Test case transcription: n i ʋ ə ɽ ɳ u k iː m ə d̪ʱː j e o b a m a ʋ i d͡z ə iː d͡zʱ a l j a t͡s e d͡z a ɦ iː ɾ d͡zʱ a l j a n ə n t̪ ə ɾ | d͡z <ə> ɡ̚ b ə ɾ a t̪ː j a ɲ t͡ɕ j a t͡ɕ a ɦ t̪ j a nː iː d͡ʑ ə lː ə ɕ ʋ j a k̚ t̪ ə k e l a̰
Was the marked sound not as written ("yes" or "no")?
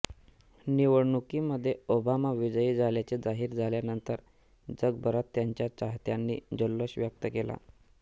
no